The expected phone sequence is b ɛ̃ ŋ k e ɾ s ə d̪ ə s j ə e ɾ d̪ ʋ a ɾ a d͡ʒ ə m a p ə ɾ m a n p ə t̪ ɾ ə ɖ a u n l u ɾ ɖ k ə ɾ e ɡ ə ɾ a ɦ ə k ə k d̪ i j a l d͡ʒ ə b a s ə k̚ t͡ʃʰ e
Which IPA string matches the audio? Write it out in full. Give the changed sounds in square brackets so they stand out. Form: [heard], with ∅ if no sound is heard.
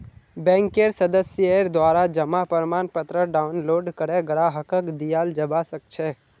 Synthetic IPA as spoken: b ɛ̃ ŋ k e ɾ s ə d̪ ə s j ə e ɾ d̪ ʋ a ɾ a d͡ʒ ə m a p ə ɾ m a n p ə t̪ ɾ ə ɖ a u n l [o] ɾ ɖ k ə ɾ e ɡ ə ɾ a ɦ ə k ə k d̪ i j a l d͡ʒ ə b a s ə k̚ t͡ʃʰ e